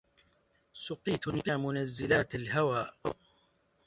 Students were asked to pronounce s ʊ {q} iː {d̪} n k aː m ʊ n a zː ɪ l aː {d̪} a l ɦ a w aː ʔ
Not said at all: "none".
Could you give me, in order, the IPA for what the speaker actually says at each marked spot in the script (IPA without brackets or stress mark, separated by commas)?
q, t̪, t̪